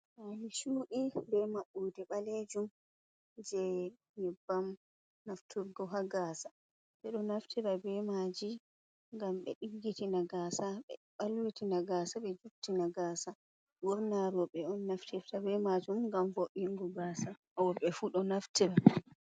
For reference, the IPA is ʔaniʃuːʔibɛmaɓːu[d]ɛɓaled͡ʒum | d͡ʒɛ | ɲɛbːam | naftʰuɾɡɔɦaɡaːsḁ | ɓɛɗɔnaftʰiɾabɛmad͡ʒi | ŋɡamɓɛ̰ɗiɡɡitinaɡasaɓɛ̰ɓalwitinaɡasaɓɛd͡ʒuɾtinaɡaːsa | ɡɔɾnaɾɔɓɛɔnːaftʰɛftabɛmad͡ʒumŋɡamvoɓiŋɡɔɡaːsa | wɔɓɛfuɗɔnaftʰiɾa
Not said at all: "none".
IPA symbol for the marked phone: d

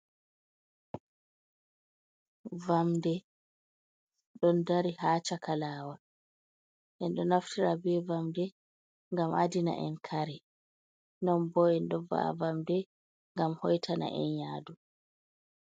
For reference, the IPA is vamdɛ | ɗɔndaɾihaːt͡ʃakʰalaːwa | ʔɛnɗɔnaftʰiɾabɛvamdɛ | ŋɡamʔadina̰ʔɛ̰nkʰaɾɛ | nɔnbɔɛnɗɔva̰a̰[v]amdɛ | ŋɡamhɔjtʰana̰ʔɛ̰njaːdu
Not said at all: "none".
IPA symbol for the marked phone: v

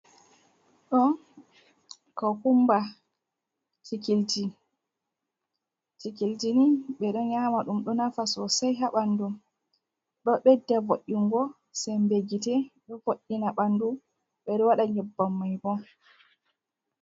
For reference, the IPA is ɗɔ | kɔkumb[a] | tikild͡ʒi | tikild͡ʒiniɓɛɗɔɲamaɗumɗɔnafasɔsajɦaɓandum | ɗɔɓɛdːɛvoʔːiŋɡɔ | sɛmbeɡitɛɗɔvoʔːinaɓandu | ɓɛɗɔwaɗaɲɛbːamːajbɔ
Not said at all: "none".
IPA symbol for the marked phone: a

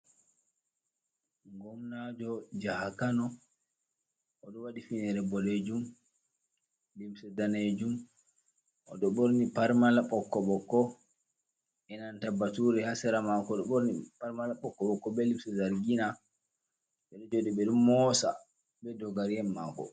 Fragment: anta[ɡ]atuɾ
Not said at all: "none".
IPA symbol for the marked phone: b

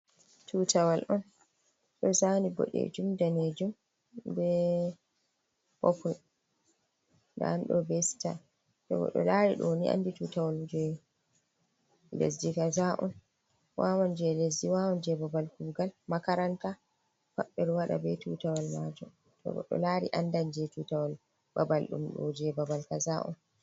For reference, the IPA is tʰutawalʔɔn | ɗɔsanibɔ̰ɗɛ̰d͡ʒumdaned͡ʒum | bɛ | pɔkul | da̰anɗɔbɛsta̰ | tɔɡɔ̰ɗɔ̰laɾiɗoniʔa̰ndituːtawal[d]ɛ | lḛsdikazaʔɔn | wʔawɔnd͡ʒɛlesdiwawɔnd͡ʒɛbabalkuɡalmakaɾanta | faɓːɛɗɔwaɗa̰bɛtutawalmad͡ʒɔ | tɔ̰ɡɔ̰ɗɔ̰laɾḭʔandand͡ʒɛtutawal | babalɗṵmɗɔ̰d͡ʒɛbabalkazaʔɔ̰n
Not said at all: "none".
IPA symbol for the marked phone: d͡ʒ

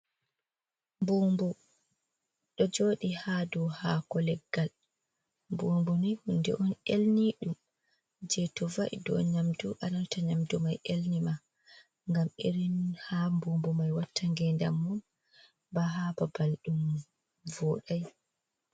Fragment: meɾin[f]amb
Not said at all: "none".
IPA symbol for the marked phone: h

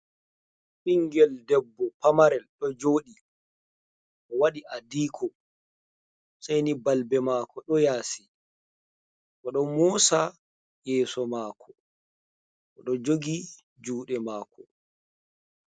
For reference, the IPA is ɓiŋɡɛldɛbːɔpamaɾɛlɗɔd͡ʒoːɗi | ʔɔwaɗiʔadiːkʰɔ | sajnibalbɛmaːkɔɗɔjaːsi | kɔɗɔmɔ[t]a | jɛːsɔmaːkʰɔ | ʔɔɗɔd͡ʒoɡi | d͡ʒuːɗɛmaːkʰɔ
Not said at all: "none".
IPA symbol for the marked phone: s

